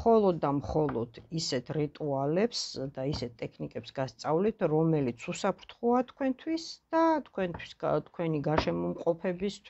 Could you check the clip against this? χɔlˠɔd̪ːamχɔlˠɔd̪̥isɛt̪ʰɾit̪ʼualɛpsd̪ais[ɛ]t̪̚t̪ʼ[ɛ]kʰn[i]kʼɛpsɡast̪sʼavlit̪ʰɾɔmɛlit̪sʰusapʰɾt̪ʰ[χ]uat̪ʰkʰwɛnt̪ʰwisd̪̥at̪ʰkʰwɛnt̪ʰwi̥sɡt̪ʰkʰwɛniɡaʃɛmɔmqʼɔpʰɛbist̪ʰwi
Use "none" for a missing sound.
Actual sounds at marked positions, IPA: ɛ, ɛ, i, χ

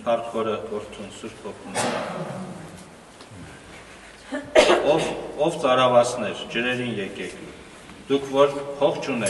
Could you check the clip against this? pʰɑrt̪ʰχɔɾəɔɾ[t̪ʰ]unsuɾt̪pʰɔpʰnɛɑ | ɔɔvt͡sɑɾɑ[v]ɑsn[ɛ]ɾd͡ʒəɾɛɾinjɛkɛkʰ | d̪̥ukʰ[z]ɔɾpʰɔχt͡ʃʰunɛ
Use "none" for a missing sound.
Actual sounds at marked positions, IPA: t̪ʰ, v, ɛ, v

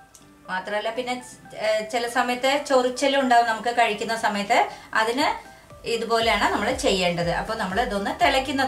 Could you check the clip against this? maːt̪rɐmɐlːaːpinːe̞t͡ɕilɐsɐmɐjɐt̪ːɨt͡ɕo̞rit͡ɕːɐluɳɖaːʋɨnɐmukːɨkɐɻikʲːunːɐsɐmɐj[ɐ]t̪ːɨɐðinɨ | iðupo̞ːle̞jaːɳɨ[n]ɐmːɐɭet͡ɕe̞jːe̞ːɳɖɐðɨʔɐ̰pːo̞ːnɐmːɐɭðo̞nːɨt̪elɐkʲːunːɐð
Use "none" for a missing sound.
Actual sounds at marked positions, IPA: ɐ, n

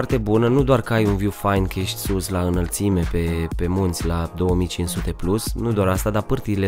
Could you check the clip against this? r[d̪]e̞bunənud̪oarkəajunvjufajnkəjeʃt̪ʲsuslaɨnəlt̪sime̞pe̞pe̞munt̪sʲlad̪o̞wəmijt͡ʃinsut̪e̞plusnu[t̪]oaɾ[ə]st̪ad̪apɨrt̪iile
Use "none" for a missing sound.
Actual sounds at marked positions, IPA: t̪, d̪, a

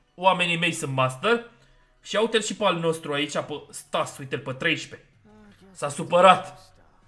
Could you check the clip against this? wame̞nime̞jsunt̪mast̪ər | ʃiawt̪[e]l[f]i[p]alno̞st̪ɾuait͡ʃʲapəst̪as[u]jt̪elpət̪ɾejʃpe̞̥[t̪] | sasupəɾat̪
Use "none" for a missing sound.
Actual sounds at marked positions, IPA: e, ʃ, p, u, none

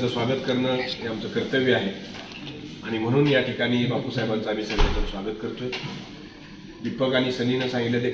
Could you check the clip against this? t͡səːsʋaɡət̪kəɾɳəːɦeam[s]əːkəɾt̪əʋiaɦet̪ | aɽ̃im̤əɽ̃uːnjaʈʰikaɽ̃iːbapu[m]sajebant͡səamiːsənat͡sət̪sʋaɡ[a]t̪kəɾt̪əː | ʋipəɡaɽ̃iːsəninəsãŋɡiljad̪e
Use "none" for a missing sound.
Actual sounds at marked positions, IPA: t͡s, none, ə

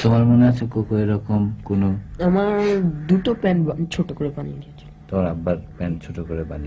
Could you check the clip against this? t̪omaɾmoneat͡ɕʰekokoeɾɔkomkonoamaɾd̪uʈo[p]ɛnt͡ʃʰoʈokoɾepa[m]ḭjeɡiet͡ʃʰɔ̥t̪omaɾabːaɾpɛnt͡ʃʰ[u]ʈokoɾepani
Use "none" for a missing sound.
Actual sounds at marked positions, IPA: p, n, o

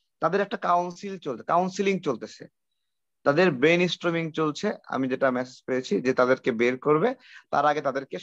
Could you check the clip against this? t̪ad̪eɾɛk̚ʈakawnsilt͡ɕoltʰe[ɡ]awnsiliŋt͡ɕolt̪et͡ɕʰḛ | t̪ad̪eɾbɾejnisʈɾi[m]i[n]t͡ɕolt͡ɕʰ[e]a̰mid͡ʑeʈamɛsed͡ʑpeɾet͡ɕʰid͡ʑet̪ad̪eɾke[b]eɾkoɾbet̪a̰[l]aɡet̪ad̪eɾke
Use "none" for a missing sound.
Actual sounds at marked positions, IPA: k, m, ŋ, e, b, ɾ

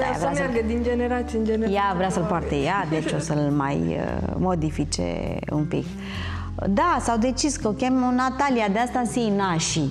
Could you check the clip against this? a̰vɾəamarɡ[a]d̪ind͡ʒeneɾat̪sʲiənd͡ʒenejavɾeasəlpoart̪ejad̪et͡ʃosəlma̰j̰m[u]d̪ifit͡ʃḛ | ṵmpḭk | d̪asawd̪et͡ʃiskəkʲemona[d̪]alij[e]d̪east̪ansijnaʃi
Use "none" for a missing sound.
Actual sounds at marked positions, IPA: ə, o, t̪, a

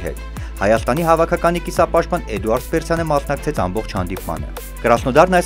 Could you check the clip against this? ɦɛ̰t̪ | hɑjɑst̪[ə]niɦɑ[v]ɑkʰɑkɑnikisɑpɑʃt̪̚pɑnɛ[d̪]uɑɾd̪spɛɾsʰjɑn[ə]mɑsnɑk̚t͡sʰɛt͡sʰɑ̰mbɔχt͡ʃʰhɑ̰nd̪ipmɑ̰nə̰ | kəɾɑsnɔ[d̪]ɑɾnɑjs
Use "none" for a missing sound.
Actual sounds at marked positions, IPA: ɑ, v, d̪, ə, d̪

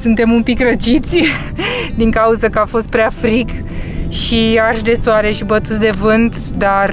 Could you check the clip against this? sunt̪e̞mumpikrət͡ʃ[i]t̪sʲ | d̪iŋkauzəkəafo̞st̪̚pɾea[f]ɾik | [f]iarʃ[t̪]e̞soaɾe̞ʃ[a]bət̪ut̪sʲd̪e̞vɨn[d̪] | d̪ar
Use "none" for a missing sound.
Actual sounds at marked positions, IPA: i, f, ʃ, d̪, i, t̪

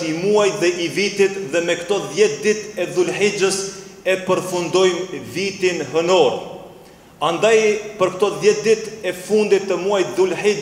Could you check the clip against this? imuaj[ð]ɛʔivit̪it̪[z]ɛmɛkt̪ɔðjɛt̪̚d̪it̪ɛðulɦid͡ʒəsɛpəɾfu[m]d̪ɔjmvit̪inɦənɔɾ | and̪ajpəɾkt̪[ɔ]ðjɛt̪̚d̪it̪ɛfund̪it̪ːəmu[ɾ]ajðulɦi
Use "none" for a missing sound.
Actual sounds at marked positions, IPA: ð, ð, n, ɔ, none

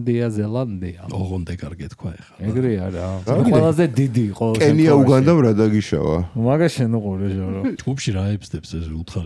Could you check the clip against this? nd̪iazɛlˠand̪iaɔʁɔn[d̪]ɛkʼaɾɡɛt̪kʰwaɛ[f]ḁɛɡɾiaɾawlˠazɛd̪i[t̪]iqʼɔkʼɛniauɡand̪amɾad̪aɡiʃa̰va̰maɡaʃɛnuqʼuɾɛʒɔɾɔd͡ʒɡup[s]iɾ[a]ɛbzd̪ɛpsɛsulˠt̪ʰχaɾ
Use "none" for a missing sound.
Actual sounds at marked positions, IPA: d̪, χ, d̪, ʃ, a

